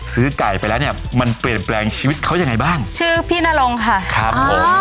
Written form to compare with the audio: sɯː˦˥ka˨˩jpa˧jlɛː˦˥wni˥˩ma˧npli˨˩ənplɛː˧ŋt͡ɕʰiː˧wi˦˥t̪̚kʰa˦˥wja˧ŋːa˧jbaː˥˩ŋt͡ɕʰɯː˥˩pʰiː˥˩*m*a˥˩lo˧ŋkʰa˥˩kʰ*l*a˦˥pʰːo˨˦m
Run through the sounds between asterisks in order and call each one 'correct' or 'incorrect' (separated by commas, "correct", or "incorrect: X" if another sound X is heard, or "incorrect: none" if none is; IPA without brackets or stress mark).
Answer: incorrect: n, incorrect: ɾ